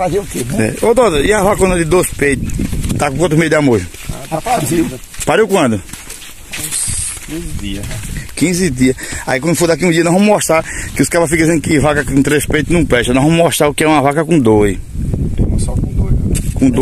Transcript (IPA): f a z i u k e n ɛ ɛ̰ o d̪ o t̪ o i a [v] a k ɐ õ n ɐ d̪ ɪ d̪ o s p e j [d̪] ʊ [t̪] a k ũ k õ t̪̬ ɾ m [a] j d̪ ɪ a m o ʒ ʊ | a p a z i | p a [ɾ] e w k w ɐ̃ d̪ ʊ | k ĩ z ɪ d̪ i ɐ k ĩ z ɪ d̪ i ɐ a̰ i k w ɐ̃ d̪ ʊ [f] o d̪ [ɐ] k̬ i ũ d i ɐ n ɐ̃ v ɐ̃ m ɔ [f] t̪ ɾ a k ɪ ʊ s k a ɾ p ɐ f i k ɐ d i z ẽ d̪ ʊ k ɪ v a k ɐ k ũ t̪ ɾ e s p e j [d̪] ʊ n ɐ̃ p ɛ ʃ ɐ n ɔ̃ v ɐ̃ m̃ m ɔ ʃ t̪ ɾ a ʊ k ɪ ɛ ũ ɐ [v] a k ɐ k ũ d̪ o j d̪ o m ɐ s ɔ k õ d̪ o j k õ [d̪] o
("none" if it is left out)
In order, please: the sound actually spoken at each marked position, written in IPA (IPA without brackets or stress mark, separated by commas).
v, t̪, t̪, e, ɾ, f, a, ʃ, t̪, v, d̪